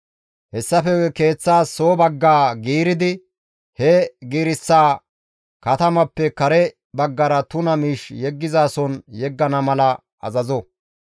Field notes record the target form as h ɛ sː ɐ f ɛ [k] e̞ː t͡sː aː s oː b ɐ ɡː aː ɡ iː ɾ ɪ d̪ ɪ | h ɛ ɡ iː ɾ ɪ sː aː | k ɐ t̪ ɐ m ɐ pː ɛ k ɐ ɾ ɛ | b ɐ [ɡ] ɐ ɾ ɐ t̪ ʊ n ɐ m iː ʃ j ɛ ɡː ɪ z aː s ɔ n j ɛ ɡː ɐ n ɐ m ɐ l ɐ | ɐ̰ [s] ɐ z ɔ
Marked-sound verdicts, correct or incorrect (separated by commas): correct, incorrect, incorrect